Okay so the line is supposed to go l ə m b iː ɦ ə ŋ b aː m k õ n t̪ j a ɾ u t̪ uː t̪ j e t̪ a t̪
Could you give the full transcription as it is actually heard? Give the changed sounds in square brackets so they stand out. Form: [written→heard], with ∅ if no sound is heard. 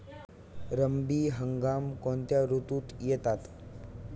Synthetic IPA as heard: [l→ɾ] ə m b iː ɦ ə ŋ [b→ɡ] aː m k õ n t̪ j a ɾ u t̪ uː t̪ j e t̪ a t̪